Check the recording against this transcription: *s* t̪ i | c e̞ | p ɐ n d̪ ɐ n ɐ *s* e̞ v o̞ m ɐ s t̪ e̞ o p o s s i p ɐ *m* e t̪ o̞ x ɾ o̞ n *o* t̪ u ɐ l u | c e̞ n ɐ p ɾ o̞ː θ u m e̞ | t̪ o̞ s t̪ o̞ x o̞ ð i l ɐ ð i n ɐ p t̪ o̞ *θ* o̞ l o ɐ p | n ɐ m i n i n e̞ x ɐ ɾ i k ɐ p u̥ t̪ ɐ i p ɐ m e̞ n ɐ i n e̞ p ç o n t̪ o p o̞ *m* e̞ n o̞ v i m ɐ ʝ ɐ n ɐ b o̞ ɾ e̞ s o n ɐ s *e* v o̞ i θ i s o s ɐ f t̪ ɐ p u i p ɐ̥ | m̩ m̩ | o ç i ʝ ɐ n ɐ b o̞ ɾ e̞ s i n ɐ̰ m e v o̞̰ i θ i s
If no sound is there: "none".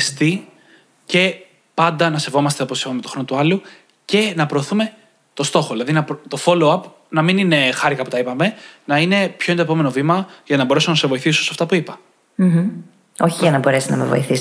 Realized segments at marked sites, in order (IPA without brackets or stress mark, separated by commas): s, s, m, o, f, m, e